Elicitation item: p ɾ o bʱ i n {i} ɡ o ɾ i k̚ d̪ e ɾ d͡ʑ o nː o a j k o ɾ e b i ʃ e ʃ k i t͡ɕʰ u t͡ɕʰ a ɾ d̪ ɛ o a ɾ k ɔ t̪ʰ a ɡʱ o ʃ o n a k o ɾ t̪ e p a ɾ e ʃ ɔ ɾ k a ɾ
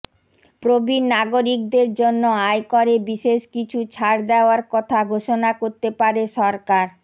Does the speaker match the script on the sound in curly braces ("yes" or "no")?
no